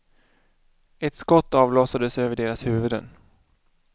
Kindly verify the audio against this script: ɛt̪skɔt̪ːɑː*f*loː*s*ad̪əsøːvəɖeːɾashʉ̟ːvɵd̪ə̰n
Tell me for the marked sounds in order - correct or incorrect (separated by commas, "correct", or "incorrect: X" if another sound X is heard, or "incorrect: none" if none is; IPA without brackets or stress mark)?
incorrect: v, correct